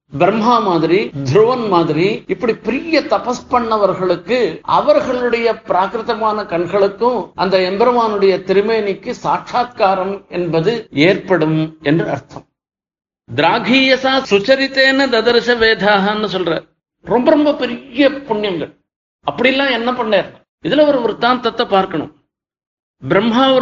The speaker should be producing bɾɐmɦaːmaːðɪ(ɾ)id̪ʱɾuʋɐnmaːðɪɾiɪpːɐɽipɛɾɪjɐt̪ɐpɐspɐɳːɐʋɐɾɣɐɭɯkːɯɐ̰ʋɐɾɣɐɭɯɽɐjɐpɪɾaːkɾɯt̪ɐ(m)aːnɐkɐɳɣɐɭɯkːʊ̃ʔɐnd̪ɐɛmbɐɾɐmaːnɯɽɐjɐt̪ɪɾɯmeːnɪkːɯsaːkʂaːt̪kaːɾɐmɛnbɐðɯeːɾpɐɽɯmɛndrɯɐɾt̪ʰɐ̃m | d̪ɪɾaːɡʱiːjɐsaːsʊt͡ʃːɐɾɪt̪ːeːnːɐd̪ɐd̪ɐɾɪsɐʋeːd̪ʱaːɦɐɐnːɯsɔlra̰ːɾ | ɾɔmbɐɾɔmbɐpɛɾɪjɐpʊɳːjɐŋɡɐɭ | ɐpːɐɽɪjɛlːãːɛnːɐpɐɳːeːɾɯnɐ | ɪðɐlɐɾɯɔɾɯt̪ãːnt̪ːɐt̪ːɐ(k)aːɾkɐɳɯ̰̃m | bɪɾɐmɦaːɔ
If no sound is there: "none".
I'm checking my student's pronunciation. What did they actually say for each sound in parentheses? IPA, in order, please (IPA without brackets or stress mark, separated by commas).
ɾ, m, p